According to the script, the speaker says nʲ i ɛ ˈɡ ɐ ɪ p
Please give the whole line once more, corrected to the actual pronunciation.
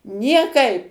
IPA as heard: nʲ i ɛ ˈk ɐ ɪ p